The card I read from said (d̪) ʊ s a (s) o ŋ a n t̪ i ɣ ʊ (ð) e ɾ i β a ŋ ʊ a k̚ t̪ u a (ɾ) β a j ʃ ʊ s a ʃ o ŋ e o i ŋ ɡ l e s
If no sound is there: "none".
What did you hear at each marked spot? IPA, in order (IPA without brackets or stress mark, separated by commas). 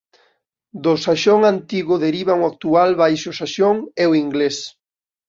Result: d̪, ʃ, ð, l